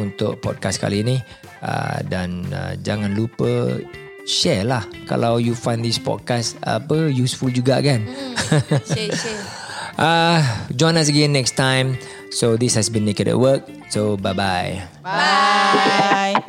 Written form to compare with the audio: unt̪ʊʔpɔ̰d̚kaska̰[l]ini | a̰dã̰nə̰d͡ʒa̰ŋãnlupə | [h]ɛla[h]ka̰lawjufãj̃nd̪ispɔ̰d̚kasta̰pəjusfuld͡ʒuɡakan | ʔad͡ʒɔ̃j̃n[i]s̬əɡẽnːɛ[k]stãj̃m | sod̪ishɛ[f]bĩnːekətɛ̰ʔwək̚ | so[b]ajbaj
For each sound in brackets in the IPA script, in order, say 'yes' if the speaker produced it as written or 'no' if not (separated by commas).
yes, no, yes, no, yes, no, yes